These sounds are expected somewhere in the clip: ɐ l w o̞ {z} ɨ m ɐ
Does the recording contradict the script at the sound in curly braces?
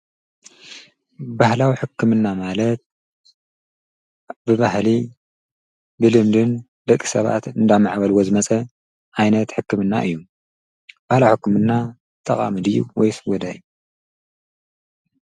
no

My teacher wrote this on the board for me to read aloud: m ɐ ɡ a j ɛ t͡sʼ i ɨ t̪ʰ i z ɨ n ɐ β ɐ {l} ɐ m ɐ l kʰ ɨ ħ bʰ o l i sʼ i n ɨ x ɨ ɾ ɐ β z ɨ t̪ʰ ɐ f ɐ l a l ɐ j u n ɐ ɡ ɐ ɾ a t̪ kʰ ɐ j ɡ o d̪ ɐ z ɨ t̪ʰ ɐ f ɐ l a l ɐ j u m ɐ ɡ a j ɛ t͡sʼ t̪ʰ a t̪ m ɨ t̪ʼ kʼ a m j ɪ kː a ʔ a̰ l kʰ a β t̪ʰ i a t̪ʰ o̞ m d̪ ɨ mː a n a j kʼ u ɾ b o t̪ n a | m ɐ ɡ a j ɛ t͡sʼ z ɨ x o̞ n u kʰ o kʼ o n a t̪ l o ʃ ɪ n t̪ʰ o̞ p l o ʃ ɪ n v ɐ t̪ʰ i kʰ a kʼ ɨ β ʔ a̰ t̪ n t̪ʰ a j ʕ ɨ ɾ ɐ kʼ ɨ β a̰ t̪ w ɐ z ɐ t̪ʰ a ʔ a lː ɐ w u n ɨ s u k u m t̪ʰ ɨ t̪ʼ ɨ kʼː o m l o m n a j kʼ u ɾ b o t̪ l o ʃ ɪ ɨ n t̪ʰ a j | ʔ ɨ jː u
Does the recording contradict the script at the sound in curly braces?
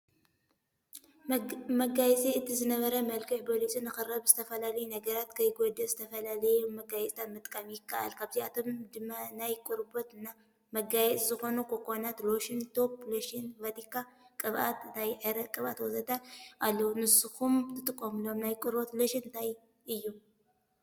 yes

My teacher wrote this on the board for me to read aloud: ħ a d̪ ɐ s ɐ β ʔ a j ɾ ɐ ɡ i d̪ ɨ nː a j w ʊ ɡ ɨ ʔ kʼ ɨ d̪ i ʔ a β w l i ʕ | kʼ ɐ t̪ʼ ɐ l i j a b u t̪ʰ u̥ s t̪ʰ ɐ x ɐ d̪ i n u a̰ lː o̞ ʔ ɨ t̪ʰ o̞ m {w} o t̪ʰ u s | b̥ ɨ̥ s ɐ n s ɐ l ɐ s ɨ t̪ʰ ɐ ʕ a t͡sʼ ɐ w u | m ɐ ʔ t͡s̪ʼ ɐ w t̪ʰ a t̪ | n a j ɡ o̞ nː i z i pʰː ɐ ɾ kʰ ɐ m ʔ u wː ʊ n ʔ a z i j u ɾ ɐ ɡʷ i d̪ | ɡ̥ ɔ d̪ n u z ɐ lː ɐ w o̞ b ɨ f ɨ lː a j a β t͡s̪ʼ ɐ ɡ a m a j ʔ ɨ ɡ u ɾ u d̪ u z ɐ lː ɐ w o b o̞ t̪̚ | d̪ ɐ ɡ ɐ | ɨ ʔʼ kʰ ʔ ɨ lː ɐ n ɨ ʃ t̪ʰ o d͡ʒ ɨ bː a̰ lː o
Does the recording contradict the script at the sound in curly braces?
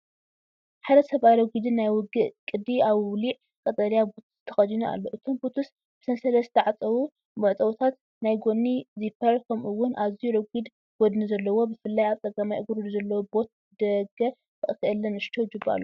yes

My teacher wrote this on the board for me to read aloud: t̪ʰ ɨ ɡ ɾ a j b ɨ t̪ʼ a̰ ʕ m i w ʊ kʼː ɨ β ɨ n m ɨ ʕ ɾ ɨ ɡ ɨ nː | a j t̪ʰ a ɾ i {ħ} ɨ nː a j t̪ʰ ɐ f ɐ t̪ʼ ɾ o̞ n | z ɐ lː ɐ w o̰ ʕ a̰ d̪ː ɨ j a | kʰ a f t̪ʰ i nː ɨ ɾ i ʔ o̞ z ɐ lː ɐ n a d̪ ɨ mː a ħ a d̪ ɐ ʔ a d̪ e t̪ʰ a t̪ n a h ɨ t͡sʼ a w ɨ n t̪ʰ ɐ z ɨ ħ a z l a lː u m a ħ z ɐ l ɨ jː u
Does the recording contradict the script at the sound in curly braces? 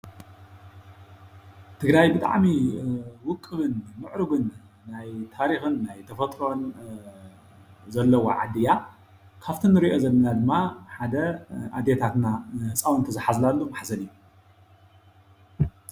yes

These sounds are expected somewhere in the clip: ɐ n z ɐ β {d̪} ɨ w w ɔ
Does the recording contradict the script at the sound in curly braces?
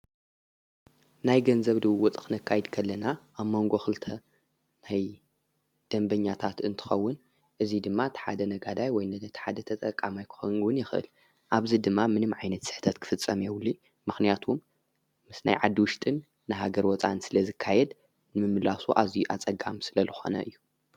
no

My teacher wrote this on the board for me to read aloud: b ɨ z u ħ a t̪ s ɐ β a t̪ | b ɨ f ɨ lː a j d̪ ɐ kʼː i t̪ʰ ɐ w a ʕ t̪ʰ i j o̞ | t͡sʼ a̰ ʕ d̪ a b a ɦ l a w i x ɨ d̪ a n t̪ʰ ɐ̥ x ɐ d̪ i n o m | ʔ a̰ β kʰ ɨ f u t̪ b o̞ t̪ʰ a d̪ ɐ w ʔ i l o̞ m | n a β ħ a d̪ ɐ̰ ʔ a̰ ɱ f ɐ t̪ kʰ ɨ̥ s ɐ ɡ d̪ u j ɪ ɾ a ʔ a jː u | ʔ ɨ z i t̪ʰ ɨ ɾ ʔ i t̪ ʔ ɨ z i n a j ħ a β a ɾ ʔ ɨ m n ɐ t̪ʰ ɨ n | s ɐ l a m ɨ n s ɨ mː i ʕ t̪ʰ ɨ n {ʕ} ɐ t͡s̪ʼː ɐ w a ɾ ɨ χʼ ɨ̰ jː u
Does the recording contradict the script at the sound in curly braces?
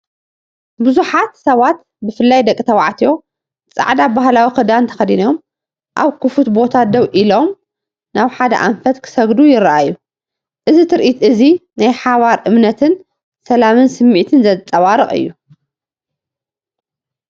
yes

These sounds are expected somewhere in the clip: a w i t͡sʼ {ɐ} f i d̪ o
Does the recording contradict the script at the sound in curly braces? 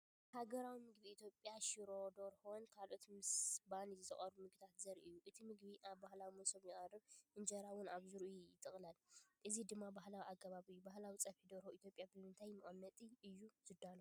no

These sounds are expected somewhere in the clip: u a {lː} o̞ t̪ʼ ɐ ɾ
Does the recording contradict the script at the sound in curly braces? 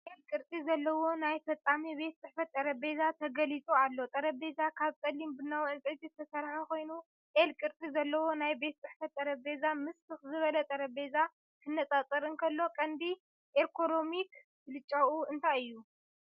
no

